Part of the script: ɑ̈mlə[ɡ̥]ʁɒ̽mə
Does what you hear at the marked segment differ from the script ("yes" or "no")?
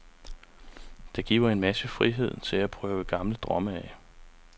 yes